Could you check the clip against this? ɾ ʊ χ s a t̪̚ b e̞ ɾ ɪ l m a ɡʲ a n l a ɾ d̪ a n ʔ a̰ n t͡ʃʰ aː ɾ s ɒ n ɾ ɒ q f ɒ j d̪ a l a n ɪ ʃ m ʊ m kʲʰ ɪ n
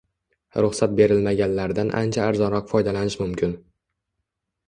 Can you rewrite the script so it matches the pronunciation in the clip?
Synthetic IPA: ɾ ʊ χ s a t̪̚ b e̞ ɾ ɪ l m a ɡʲ a n l a ɾ d̪ a n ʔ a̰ n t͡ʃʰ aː ɾ z ɒ n ɾ ɒ q f ɒ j d̪ a l a n ɪ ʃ m ʊ m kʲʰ ɪ n

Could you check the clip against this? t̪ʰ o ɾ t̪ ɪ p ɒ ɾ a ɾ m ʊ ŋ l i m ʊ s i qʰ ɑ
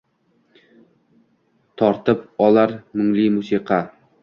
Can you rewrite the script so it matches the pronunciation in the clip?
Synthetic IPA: t̪ʰ ɒ ɾ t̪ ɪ p ɒ l a ɾ m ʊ ŋ l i m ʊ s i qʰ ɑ

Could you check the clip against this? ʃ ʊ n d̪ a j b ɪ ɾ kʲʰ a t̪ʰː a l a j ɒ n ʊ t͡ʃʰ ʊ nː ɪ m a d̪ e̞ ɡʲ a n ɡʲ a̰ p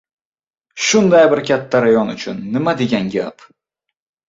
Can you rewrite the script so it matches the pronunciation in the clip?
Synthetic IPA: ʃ ʊ n d̪ a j b ɪ ɾ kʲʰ a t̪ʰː a ɾ a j ɒ n ʊ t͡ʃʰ ʊ nː ɪ m a d̪ e̞ ɡʲ a n ɡʲ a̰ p

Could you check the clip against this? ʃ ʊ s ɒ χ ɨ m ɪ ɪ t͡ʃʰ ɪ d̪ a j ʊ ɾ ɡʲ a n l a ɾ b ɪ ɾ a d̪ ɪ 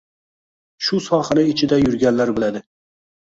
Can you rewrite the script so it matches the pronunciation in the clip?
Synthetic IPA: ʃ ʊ s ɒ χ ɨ n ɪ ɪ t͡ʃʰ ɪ d̪ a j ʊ ɾ ɡʲ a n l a ɾ b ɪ l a d̪ ɪ

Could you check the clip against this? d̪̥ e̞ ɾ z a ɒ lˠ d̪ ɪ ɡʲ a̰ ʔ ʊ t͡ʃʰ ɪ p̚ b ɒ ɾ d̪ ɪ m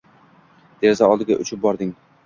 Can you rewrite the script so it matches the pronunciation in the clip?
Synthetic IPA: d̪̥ e̞ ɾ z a ɒ lˠ d̪ ɪ ɡʲ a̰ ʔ ʊ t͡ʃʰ ɪ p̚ b ɒ ɾ d̪ ɪ ŋ

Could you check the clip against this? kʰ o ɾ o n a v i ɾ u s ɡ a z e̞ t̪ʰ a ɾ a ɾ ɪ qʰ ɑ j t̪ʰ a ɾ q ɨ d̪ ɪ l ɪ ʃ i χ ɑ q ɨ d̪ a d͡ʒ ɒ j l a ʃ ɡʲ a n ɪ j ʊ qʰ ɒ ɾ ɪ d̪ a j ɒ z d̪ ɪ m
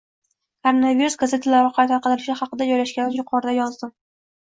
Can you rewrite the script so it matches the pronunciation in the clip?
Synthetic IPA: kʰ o ɾ o n a v i ɾ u s ɡ a z e̞ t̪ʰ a l a ɾ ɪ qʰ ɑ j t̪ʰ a ɾ q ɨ d̪ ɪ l ɪ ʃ ɪ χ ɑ q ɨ d̪ a d͡ʒ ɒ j l a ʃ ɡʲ a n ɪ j ʊ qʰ ɒ ɾ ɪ d̪ a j ɒ z d̪ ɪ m

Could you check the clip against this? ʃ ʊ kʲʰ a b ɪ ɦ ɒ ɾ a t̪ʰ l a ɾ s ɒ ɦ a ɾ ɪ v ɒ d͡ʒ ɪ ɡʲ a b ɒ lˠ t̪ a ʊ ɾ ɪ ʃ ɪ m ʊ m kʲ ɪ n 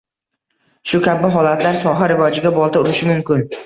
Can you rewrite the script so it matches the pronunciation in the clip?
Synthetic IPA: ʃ ʊ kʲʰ a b ɪ ɦ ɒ l a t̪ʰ l a ɾ s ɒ ɦ a ɾ ɪ v ɒ d͡ʒ ɪ ɡʲ a b ɒ lˠ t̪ a ʊ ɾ ɪ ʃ ɪ m ʊ m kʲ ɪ n

